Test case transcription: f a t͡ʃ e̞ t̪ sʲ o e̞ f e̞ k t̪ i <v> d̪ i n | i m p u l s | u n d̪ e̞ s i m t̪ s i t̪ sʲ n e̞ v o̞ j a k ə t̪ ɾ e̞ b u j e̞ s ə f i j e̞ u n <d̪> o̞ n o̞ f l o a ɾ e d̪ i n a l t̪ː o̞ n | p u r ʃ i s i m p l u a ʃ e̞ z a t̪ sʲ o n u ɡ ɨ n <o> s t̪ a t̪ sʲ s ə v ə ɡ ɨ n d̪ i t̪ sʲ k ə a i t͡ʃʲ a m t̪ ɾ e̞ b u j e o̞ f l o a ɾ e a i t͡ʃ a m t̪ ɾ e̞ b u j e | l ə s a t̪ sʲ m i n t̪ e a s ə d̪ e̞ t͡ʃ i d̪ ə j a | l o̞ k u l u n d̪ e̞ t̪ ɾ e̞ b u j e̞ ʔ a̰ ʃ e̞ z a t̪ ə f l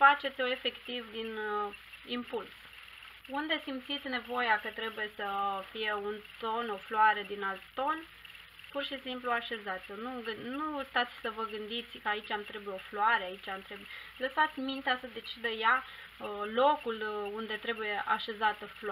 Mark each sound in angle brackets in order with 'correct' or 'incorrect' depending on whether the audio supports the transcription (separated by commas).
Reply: correct, incorrect, incorrect